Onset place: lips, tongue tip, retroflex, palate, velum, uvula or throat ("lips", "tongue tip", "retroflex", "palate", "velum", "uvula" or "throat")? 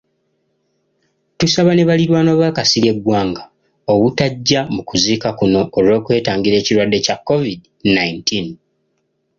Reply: tongue tip